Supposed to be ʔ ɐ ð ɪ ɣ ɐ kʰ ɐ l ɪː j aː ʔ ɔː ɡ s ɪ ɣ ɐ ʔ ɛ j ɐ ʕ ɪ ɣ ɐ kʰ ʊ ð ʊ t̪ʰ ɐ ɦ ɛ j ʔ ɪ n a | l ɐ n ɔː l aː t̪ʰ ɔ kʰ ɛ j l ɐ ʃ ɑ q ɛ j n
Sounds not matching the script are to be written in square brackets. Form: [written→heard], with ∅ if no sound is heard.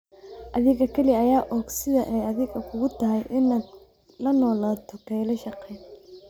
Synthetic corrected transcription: ʔ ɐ ð ɪ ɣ ɐ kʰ ɐ l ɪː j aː ʔ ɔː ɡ s ɪ [ɣ→ð] ɐ ʔ ɛ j ɐ [ʕ→ð] ɪ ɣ ɐ kʰ ʊ [ð→ɣ] ʊ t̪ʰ ɐ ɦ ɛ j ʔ ɪ n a | l ɐ n ɔː l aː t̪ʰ ɔ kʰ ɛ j l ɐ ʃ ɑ q ɛ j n